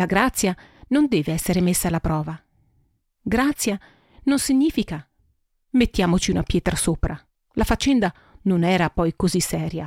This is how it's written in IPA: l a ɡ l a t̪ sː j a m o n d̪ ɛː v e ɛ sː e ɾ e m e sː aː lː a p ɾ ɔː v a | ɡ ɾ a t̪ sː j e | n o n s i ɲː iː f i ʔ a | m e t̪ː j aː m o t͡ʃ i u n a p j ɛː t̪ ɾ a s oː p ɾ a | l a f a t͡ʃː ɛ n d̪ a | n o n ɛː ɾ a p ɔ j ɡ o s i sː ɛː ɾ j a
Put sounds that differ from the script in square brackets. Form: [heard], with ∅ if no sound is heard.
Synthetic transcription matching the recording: l a ɡ [ɾ] a t̪ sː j a [n] o n d̪ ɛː v e ɛ sː e ɾ e m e sː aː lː a p ɾ ɔː v a | ɡ ɾ a t̪ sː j [a] | n o n s i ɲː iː f i [k] a | m e t̪ː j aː m o t͡ʃ i u n a p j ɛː t̪ ɾ a s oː p ɾ a | l a f a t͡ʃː ɛ n d̪ a | n o n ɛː ɾ a p ɔ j [k] o [z] i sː ɛː ɾ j a